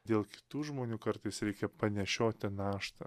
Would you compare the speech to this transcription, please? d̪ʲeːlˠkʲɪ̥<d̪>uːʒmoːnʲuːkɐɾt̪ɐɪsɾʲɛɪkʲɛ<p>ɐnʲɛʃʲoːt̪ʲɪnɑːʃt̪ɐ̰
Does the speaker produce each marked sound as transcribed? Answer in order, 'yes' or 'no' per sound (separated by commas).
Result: no, yes